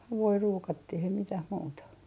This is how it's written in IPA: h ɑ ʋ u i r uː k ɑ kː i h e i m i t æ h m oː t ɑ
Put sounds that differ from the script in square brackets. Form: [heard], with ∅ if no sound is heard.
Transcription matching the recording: h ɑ ʋ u i r uː k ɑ [tː] i h e i m i t æ h m [uː] t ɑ

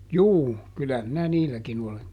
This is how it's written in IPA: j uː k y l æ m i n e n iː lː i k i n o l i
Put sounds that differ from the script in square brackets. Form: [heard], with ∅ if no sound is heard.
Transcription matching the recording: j uː k y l æ m i n [æ] n iː lː [æ] k i n o l [e]

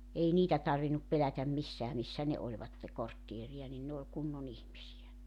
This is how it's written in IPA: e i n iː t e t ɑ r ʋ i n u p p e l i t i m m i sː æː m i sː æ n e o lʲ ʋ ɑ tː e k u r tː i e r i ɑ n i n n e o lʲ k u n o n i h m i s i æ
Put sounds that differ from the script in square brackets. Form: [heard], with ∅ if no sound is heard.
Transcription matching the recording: e i n iː t [æ] t ɑ r ʋ i n u p p e l [æ] t [æ] m m i sː æː m i sː æ n e o lʲ ʋ ɑ tː e k [o] r tː i e r i ɑ n i n n e o lʲ k u [nː] o n i h m i s i æ

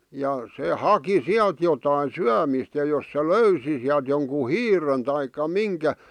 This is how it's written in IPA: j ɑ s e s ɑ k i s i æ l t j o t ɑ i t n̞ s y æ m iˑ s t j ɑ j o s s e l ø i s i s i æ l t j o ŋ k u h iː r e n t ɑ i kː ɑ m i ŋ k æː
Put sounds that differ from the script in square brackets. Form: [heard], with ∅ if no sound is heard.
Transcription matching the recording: j ɑ s e [h] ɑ k i s i æ l t j o t ɑ i [∅] n̞ s y æ m iˑ s t j ɑ j o s s e l ø [y] s i s i æ l t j o ŋ k u h iː r e n t ɑ i kː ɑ m i ŋ k [æ]

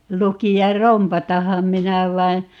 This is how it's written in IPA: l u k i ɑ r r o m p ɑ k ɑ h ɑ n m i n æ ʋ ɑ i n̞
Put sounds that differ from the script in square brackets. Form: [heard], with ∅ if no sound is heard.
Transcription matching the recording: l u k i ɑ r r o m p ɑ [t] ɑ h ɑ [m] m i n æ ʋ ɑ i n̞

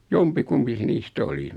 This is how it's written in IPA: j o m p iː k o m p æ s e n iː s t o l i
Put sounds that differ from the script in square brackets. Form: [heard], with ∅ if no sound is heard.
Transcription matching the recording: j o m p [i] k [u] m p [i] s e n iː s t o l i

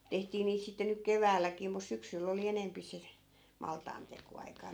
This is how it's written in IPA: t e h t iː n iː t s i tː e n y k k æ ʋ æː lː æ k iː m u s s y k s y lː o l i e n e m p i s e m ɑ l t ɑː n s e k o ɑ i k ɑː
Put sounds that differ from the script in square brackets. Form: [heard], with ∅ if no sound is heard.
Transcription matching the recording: t e h t iː n iː t s i tː e n y k k [e] ʋ æː lː æ k iː m u s s y k s y lː o l i e n e m p i s e m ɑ l t ɑː n [t] e k o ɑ i k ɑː

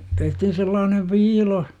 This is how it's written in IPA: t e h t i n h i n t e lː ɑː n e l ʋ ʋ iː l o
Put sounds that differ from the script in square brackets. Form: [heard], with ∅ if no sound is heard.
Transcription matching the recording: t e h t i [∅] h i n [s] e lː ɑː n e [∅] ʋ ʋ iː l o

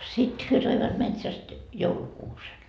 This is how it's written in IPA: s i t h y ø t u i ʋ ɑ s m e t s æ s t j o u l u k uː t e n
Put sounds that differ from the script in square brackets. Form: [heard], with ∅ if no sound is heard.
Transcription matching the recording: s i t h y ø t [o] i ʋ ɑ [t] m e t s æ s t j o u l u k uː [s] e n

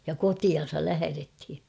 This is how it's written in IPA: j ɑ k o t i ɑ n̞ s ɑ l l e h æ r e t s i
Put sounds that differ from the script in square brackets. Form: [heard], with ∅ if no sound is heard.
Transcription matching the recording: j ɑ k o t i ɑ n̞ s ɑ l l [æ] h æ r e t [h] i

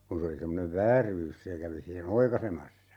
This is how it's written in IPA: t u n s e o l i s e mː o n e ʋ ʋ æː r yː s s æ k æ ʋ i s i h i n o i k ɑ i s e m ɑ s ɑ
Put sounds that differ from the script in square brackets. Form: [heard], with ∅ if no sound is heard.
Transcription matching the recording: [k] u n s e o l i s e mː o n e ʋ ʋ æː r yː s s [e] k æ ʋ i s i h [e] n o i k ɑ i s e m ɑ [sː] ɑ

